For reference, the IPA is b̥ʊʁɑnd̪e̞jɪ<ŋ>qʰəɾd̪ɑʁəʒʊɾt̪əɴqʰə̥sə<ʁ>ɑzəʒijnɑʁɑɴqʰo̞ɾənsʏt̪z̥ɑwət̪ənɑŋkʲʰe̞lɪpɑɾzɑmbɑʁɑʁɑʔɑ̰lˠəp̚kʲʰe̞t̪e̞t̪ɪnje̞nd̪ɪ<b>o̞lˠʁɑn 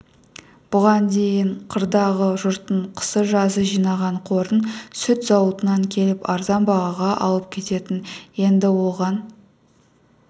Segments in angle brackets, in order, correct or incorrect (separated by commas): incorrect, incorrect, incorrect